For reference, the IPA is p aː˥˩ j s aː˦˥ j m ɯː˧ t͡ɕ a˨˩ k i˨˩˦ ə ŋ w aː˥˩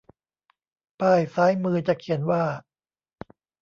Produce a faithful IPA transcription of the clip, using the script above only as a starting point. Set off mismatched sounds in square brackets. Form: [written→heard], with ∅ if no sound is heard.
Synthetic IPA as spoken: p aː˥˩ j s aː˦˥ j m ɯː˧ t͡ɕ a˨˩ [k→kʰ] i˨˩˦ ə [ŋ→n] w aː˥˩